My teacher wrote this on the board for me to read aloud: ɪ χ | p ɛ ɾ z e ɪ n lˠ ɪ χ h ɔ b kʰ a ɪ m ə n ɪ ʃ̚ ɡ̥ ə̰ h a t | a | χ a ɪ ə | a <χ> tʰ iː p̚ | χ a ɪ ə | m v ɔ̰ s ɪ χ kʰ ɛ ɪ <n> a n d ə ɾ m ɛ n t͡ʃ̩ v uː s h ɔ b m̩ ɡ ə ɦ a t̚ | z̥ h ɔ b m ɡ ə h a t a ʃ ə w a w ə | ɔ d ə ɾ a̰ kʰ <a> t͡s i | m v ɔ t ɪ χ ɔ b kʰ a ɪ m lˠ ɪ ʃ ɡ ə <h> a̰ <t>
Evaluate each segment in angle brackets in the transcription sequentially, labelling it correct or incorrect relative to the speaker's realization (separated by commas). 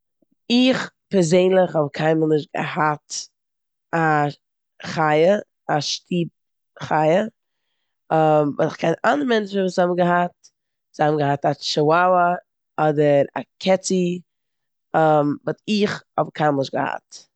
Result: incorrect, correct, incorrect, correct, correct